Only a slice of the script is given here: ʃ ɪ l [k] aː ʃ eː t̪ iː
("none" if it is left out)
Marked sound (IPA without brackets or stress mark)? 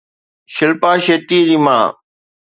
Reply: p